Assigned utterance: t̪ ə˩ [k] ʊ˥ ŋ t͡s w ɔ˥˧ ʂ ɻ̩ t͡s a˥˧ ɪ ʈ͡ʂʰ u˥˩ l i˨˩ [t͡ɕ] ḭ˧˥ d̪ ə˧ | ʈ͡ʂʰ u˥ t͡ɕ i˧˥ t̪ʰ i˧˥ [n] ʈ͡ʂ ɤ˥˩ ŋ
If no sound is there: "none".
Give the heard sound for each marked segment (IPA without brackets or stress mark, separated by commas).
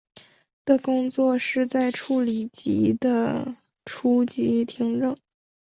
k, t͡ɕ, ŋ